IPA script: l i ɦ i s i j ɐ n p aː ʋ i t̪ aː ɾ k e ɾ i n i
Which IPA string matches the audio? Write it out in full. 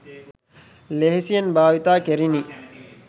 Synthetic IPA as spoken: l e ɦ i s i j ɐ n b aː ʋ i t̪ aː k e ɾ i n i

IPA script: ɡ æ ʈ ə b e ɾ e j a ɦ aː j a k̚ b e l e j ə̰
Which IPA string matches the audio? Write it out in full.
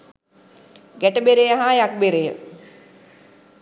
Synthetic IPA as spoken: ɡ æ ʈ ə b e ɾ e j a ɦ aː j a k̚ b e ɾ e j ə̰

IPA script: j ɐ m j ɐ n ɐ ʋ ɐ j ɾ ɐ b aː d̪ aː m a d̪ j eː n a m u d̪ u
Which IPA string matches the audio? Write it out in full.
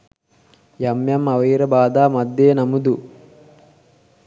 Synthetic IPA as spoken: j ɐ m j ɐ m ɐ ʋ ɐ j ɾ ɐ b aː d̪ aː m ɐ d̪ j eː n ɐ m u d̪ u

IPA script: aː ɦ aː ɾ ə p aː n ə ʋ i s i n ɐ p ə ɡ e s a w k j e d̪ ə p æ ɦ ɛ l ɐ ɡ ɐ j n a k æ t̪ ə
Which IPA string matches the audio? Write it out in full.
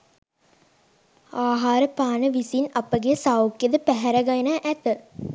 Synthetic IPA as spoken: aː ɦ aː ɾ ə p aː n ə ʋ i s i n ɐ p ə ɡ e s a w k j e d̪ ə p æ ɦ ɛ ɾ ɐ ɡ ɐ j n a ʔ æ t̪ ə

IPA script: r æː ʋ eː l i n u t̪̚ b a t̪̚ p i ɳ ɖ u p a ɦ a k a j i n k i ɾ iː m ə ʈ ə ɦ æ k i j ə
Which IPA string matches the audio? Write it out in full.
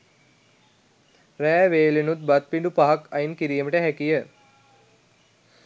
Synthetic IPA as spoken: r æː ʋ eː l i n u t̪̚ b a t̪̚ p i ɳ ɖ u p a ɦ a k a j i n k i ɾ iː m ə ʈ ə ɦ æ k i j ə

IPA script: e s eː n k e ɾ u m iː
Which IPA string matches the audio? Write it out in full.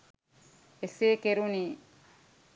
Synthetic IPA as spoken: e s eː k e ɾ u n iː

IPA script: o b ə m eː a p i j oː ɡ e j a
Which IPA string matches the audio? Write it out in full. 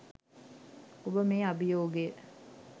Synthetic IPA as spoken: o b ə m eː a b i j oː ɡ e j ə

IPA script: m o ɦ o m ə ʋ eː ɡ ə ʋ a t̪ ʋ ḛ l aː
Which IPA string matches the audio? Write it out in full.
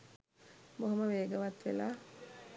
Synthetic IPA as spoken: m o ɦ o m ə ʋ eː ɡ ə ʋ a t̪ ʋ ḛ l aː

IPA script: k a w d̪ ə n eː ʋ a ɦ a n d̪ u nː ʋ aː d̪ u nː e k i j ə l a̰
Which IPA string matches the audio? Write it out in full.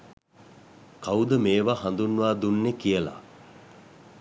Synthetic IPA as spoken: k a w d̪ ə m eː ʋ a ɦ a n d̪ u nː ʋ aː d̪ u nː e k i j ə l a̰

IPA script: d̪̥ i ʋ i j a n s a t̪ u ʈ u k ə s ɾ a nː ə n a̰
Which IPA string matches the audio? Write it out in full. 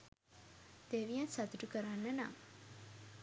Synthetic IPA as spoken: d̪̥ e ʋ i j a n s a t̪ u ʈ u k ə ɾ a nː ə n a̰

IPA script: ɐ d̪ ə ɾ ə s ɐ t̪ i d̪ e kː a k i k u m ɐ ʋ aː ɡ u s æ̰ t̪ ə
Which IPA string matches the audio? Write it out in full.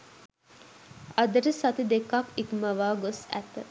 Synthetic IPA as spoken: ɐ d̪ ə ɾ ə s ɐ t̪ i d̪ e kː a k i k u m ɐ ʋ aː ɡ o s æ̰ t̪ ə

